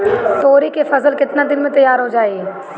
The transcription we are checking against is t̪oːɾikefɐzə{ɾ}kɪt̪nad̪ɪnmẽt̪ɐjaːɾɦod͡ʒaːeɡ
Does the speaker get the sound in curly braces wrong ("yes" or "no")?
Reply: yes